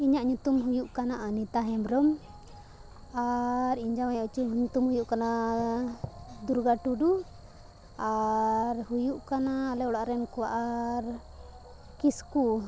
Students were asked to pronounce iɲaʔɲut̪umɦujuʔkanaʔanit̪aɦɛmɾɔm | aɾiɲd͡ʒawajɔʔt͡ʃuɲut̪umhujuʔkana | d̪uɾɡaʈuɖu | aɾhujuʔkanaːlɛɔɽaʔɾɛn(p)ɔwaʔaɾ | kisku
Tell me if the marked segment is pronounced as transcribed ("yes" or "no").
no